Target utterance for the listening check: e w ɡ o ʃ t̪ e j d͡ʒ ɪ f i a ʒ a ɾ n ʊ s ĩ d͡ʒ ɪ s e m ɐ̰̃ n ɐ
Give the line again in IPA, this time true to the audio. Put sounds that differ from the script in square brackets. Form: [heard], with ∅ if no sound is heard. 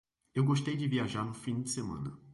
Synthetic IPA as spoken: e w ɡ o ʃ t̪ e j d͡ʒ ɪ [v] i a ʒ a ɾ n ʊ [f] ĩ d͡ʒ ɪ s e m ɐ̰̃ n ɐ